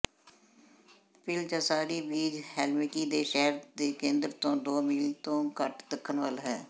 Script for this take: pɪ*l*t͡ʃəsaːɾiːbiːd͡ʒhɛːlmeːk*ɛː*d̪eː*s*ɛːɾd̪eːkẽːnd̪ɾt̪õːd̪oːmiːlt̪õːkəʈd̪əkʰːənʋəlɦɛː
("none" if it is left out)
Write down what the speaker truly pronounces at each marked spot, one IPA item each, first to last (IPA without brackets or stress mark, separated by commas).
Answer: l, iː, ʃ